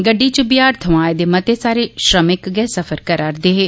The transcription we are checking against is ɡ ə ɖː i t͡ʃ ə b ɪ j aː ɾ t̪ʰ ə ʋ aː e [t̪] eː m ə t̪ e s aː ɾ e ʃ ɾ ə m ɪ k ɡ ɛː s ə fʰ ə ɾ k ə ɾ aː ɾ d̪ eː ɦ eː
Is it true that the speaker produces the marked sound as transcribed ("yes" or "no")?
no